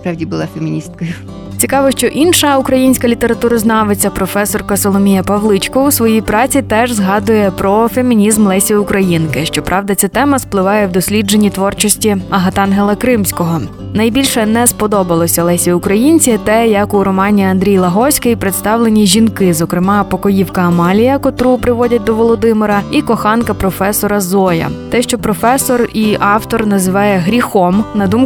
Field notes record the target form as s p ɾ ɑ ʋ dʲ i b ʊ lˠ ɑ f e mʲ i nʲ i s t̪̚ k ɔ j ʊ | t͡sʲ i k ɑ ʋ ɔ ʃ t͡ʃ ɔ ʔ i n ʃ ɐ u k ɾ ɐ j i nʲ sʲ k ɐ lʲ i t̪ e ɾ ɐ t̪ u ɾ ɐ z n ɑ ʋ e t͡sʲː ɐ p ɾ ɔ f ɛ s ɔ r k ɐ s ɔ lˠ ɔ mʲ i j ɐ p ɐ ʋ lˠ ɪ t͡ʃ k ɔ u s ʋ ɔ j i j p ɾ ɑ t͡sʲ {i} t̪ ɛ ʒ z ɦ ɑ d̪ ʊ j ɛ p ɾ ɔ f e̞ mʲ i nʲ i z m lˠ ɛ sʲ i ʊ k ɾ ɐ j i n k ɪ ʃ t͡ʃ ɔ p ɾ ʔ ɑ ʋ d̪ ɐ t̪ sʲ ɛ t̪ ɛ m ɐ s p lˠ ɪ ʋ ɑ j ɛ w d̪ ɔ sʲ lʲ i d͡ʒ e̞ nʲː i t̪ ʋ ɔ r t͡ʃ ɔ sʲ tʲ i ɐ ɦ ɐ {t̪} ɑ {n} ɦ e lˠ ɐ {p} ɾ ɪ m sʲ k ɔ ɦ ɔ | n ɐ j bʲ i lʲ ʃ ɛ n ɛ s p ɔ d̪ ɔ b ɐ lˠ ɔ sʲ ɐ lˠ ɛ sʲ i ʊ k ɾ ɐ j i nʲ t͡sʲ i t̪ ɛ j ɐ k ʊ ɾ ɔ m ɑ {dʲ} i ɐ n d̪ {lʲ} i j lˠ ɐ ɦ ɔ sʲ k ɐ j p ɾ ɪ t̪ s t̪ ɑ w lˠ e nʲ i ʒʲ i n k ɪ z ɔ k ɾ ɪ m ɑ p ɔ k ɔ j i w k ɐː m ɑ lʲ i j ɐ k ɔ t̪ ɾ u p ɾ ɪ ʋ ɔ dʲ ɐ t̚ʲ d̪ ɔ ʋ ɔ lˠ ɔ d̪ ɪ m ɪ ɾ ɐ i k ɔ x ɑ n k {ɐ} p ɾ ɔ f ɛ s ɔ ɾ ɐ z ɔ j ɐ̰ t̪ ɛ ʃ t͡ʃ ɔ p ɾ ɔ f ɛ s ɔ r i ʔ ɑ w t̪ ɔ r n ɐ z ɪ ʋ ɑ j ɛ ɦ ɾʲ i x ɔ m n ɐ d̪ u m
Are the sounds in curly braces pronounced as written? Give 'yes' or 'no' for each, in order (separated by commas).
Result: yes, yes, yes, no, no, no, yes